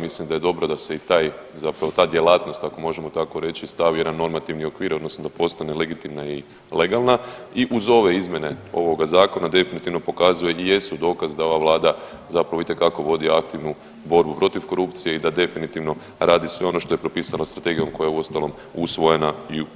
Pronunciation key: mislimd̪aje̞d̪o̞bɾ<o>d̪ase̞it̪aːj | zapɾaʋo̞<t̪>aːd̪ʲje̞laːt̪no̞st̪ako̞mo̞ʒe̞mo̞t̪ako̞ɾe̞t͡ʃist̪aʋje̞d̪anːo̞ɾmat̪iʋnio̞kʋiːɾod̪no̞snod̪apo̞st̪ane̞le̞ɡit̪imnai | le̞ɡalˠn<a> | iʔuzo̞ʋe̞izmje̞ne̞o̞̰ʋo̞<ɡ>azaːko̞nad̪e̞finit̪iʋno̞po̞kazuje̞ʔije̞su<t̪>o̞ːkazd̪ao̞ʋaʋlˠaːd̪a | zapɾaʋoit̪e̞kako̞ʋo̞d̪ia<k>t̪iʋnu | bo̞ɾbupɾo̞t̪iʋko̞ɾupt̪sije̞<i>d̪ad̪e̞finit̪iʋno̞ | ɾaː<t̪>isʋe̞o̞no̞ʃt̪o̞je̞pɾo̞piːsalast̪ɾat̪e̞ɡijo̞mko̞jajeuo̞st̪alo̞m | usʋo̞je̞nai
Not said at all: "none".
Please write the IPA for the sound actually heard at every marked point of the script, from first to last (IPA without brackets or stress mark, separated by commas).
o, t̪, a, ɡ, d̪, k, i, d̪